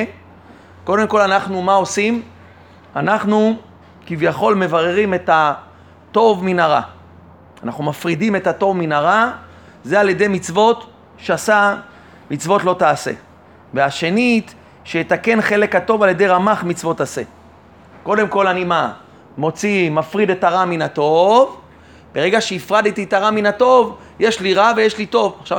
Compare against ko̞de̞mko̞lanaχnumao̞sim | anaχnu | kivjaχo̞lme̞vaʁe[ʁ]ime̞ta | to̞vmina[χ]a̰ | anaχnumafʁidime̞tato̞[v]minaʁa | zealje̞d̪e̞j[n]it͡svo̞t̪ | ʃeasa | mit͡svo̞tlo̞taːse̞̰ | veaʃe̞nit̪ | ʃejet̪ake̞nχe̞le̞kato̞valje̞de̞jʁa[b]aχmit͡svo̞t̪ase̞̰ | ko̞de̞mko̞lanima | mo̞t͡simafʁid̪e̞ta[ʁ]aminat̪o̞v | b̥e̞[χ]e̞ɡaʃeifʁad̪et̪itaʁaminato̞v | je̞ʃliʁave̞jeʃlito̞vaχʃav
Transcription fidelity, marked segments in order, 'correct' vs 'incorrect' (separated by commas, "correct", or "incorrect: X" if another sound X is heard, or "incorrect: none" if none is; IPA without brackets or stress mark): correct, incorrect: ʁ, correct, incorrect: m, incorrect: m, correct, incorrect: ʁ